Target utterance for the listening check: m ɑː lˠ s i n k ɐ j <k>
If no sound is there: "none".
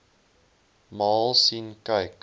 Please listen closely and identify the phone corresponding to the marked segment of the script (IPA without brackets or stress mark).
k